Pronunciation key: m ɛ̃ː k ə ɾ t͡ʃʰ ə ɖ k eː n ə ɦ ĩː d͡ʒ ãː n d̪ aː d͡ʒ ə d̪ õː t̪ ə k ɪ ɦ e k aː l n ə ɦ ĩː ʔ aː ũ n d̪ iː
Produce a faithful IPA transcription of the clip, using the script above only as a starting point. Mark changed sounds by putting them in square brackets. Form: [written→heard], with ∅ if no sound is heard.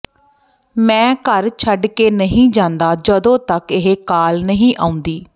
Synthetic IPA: m ɛ̃ː k ə ɾ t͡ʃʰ ə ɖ k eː n ə ɦ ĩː d͡ʒ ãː n d̪ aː d͡ʒ ə d̪ õː t̪ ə k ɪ ɦ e k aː l n ə ɦ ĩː ʔ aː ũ n d̪ iː